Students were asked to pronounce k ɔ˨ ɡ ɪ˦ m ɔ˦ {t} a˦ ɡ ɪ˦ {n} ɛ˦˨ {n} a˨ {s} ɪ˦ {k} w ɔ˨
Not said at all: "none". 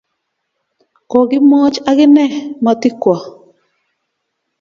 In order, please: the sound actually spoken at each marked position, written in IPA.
t͡ʃ, n, m, t, k

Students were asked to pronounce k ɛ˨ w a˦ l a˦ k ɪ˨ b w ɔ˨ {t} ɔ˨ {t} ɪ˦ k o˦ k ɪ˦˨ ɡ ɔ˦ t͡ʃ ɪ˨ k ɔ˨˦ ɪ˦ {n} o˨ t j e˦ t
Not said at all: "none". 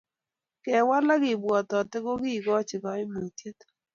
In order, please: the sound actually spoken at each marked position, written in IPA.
t, t, m

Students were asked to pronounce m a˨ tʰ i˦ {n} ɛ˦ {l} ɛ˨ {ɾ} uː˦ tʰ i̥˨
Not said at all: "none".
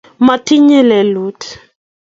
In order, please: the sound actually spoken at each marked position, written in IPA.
ɲ, l, l

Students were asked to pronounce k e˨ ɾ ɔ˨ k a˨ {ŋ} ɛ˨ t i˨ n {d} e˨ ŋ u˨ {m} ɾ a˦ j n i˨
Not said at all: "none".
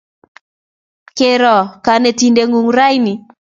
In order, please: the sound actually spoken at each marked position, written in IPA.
n, d, ŋ

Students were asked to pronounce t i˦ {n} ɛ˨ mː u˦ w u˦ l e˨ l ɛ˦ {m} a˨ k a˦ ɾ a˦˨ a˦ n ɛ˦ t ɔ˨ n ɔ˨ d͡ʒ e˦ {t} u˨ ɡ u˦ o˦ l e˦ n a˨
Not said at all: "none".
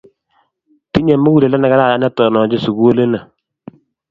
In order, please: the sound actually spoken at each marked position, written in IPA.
ɲ, n, s

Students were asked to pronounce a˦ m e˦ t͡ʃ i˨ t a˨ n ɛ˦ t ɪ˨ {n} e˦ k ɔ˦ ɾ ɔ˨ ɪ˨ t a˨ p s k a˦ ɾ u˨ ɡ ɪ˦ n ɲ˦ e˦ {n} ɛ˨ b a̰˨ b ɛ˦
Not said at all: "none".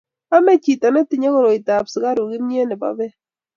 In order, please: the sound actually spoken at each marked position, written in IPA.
ɲ, n

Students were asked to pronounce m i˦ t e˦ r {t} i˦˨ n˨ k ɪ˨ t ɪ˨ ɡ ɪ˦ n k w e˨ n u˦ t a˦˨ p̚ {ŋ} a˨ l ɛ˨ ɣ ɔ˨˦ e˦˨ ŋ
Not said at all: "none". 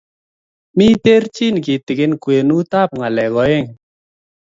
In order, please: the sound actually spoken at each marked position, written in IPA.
t͡ʃ, ŋ

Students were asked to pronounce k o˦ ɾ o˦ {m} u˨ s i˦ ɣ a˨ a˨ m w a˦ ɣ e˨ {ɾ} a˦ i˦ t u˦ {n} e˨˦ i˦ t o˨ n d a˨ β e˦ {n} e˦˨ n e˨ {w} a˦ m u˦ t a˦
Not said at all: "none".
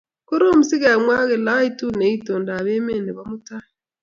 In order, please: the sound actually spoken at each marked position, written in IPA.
m, l, n, m, β

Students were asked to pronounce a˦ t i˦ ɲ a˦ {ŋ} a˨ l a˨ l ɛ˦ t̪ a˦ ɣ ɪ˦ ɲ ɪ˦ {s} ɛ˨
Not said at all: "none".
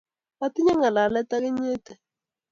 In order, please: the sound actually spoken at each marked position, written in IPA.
ŋ, t

